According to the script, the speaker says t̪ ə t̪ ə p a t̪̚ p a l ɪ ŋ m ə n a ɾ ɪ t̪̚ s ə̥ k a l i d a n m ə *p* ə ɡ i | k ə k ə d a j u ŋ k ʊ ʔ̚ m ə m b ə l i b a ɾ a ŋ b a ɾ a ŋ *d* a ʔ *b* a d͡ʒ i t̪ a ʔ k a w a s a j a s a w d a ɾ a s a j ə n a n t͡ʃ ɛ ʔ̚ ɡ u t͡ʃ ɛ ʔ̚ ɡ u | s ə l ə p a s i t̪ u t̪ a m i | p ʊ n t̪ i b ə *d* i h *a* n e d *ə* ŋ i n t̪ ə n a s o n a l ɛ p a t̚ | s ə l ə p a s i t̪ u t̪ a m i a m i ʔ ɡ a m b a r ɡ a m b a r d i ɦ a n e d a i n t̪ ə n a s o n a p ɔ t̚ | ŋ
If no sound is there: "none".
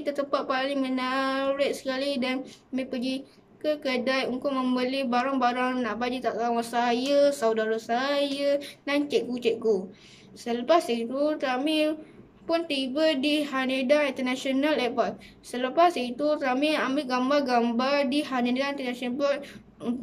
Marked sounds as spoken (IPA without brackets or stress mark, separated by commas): p, n, b, d, a, a